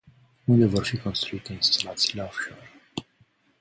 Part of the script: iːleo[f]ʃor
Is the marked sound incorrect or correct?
correct